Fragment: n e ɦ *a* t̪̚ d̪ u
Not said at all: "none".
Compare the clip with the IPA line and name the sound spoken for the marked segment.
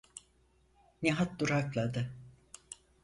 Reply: a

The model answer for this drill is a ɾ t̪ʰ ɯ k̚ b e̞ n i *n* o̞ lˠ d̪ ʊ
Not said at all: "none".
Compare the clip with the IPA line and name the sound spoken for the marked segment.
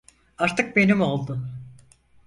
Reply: m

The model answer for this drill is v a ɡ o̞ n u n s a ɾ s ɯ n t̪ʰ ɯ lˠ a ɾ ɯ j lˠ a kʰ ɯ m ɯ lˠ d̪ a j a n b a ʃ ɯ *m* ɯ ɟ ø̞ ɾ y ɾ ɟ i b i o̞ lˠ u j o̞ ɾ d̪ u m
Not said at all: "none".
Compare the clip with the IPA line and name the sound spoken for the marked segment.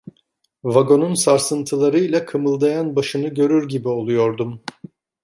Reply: n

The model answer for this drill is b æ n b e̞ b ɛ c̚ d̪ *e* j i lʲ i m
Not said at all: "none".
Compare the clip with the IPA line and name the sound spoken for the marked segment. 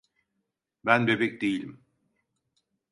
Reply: e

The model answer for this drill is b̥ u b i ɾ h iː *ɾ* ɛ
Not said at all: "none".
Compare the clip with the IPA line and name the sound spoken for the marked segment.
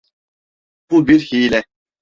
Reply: l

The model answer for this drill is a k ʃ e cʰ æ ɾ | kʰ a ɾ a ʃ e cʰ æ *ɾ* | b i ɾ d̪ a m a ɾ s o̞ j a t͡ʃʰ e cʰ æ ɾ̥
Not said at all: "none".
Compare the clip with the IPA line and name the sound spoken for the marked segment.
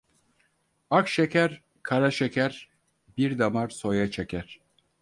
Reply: ɾ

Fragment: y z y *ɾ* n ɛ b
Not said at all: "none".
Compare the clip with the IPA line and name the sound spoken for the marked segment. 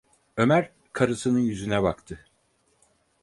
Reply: none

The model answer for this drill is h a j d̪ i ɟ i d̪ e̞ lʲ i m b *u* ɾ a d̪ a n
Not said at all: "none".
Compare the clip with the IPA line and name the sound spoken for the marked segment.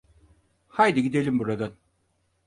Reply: u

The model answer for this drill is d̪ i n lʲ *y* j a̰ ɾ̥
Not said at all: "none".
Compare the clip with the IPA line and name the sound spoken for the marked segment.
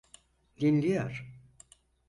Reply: i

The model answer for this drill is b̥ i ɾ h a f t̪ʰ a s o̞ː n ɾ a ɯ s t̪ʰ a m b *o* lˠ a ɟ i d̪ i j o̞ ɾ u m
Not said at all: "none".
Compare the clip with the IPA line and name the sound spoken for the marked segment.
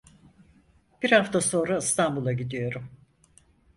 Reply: u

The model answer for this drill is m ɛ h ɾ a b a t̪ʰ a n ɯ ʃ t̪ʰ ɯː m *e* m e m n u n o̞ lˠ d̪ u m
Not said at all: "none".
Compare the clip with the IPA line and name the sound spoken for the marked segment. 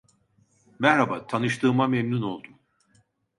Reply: a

